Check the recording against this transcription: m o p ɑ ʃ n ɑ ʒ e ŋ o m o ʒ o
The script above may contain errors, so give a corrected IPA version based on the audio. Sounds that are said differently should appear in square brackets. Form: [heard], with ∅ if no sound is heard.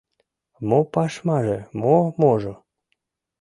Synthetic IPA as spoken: m o p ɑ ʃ [m] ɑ ʒ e [m] o m o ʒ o